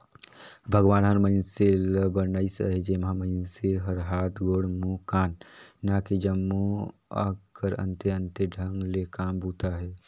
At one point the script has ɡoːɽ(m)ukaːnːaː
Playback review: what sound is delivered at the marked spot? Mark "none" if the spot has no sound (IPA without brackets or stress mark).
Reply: m